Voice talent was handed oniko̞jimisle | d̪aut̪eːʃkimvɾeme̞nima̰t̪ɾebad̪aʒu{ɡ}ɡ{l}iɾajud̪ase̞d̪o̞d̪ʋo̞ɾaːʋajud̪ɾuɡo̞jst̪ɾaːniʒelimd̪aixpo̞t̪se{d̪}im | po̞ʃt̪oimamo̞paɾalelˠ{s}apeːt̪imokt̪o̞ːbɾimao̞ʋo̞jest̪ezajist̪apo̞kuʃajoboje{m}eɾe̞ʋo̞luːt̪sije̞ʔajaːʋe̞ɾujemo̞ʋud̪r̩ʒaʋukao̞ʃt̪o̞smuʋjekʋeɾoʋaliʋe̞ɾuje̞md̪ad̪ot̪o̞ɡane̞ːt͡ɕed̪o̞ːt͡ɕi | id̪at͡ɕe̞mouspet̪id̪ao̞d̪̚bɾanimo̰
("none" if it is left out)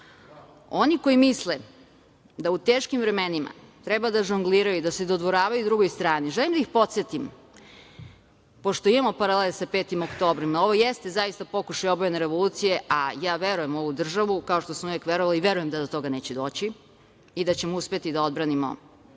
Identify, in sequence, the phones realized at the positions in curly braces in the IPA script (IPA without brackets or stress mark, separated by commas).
ŋ, l, t̪, s, n